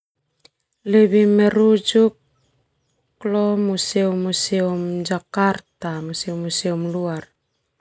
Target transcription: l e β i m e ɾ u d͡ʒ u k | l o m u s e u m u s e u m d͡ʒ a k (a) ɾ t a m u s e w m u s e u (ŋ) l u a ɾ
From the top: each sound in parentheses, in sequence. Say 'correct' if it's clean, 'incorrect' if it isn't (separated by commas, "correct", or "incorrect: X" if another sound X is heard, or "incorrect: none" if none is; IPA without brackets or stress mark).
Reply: correct, incorrect: m